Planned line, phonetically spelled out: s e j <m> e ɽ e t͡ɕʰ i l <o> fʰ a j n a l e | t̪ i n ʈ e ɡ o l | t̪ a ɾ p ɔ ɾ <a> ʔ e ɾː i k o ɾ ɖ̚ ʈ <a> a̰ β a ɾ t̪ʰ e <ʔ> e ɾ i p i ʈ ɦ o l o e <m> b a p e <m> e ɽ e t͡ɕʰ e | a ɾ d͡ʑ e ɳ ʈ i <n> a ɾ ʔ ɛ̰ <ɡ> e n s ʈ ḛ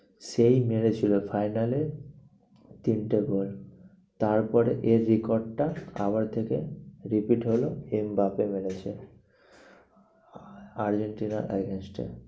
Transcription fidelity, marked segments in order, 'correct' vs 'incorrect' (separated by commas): correct, correct, incorrect, correct, incorrect, correct, correct, correct, correct